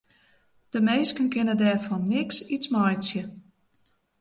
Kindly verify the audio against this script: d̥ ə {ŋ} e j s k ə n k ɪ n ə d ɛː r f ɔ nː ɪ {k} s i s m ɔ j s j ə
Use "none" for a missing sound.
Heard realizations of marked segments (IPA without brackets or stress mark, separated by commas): m, k